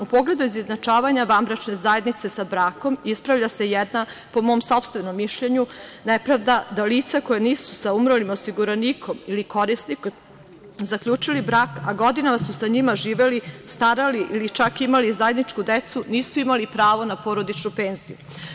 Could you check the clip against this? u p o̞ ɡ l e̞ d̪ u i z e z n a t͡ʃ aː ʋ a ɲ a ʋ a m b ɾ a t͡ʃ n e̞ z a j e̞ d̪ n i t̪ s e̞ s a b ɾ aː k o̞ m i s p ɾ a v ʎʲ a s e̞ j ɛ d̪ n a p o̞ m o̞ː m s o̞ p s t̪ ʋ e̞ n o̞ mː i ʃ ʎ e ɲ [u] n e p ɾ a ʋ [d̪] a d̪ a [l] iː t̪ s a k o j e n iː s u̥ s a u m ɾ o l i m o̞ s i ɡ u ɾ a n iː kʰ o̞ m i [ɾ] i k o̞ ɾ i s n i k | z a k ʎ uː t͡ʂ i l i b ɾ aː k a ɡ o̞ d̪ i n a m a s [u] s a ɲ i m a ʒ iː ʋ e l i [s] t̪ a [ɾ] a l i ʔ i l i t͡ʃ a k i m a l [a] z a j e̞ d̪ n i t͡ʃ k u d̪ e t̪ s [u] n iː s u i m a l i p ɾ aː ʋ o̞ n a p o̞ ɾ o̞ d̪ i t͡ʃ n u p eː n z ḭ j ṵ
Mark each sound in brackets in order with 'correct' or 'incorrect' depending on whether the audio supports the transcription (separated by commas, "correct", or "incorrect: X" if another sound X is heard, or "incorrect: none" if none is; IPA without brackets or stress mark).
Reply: correct, correct, correct, incorrect: l, correct, correct, correct, incorrect: i, correct